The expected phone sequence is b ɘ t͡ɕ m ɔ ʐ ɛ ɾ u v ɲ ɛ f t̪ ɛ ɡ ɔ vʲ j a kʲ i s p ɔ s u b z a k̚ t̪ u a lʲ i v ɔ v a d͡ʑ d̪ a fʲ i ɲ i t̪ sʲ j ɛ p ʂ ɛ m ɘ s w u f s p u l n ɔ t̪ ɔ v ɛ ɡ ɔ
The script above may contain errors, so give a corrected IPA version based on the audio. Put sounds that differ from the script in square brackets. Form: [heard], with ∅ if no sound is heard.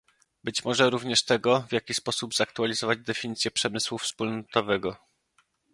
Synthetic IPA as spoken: b ɘ t͡ɕ m ɔ ʐ ɛ ɾ u v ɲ ɛ [ʂ] t̪ ɛ ɡ ɔ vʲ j a kʲ i s p ɔ s u b z a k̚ t̪ u a lʲ i [z] ɔ v a d͡ʑ d̪ [ɛ] fʲ i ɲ i t̪ sʲ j ɛ p ʂ ɛ m ɘ s w u f s p u l n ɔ t̪ ɔ v ɛ ɡ ɔ